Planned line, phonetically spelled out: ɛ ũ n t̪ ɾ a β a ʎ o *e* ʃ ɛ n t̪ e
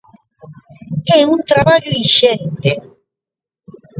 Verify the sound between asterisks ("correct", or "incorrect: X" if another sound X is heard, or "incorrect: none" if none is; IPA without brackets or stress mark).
incorrect: i